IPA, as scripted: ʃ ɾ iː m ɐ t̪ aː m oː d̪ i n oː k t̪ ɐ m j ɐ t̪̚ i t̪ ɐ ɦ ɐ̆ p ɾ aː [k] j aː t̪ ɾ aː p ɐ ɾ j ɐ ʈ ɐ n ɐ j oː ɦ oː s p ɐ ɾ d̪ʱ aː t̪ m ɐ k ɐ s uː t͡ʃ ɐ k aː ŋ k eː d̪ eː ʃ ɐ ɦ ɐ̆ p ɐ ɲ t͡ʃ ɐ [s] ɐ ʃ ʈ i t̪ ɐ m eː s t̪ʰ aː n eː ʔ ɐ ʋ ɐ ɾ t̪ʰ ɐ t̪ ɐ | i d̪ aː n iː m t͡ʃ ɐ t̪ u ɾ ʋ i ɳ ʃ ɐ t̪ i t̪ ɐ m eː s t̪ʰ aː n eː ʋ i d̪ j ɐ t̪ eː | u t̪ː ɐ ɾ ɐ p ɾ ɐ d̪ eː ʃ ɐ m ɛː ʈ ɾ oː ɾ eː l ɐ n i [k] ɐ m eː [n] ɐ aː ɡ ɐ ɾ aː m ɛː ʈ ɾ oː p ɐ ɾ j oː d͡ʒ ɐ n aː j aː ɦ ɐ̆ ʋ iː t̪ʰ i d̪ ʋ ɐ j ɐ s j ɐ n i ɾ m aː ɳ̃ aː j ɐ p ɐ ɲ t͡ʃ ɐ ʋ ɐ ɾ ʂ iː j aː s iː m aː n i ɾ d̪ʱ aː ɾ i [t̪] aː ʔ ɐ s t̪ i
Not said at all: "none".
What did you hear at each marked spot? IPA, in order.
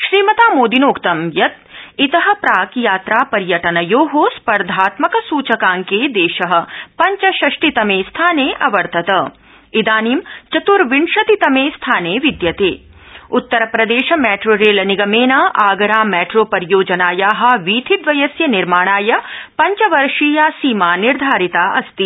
k, ʃ, ɡ, n, t̪

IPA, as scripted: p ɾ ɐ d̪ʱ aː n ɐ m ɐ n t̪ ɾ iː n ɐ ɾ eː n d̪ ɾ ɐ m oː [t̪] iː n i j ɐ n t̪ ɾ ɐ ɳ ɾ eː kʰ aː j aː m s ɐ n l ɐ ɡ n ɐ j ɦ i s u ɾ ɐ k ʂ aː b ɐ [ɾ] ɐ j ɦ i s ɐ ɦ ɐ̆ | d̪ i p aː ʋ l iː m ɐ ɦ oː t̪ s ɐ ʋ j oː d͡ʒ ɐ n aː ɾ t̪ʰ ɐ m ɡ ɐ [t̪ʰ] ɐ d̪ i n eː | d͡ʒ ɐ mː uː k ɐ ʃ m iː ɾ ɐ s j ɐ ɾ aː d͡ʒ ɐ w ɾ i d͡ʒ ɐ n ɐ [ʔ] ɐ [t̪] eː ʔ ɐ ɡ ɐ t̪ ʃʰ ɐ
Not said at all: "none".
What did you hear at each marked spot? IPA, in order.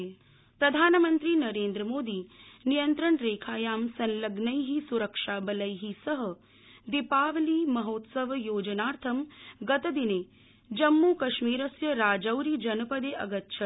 d̪, l, t̪, p, d̪

